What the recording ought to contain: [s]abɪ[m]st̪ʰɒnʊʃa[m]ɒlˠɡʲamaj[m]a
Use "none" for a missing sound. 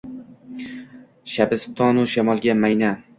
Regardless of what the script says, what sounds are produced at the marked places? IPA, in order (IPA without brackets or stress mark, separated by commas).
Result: ʃ, none, m, n